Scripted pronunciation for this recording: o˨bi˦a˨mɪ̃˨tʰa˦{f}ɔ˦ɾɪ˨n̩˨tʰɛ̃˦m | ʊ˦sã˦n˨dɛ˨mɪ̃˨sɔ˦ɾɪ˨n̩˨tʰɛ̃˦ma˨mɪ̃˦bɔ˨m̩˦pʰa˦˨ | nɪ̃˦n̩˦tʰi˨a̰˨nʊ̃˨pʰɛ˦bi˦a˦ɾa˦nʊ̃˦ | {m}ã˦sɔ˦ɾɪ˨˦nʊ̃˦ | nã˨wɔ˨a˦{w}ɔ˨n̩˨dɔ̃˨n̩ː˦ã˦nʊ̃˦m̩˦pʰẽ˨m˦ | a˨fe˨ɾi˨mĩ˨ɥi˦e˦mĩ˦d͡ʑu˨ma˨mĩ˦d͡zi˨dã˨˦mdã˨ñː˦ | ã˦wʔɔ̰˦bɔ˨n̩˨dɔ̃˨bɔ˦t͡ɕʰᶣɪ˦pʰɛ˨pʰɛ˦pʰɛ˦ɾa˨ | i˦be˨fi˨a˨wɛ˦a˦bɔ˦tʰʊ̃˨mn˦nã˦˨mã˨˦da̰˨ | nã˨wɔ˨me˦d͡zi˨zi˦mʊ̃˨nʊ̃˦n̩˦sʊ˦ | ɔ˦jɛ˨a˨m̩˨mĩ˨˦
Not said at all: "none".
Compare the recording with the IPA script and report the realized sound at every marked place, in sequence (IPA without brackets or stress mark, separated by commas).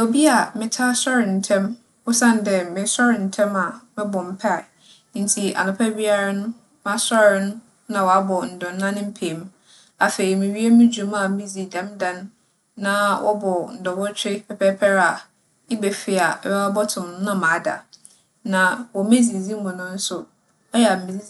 s, m, b